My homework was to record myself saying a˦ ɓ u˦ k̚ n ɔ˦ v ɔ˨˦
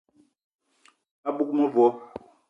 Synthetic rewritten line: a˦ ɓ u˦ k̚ m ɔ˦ v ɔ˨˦